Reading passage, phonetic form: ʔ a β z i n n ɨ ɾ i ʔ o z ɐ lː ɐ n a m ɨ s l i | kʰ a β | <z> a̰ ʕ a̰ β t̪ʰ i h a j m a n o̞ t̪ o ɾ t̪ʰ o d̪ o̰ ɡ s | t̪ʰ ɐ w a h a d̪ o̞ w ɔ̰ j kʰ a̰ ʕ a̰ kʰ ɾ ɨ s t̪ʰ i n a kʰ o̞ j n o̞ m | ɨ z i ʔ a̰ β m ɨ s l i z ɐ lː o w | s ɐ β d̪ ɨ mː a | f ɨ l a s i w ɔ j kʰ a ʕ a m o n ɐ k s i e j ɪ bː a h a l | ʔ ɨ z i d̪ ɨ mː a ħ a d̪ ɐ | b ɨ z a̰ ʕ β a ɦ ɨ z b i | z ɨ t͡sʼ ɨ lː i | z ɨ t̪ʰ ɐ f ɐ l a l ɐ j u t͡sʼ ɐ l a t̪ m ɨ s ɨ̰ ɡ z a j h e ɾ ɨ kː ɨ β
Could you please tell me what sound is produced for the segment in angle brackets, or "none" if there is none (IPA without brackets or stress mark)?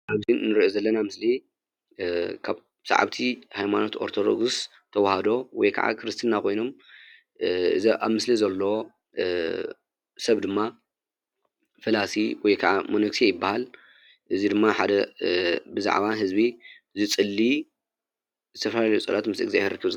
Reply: s